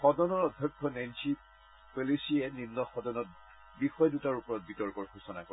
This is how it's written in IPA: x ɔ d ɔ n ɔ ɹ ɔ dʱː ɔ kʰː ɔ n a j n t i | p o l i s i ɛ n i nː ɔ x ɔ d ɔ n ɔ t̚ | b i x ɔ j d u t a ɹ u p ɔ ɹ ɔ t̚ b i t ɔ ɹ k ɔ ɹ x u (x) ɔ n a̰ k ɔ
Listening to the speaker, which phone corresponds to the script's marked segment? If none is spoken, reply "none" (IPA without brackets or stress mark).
s